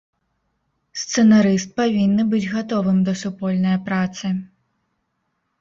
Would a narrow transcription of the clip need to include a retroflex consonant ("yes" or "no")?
no